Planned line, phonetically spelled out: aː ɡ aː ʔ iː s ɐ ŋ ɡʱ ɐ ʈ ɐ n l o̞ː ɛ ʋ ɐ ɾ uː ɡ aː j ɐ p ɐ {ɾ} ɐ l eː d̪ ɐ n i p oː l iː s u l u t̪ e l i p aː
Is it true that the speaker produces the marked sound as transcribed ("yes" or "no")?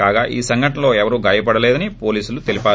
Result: no